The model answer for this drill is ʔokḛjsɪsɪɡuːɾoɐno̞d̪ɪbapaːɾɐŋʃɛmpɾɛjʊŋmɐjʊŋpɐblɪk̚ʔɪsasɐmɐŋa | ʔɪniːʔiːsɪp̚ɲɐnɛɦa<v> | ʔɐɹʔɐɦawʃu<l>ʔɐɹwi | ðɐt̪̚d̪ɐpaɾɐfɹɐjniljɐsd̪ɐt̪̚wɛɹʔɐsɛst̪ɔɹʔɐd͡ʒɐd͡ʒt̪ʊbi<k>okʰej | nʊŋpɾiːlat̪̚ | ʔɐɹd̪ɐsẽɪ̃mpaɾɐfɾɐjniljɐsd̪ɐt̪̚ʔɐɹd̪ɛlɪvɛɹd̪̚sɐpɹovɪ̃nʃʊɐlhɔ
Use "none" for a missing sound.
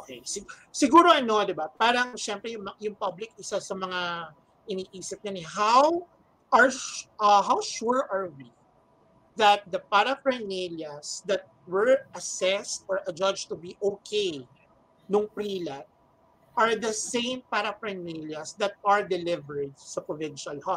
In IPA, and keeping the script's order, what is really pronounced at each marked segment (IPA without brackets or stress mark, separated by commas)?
w, ɹ, ʔ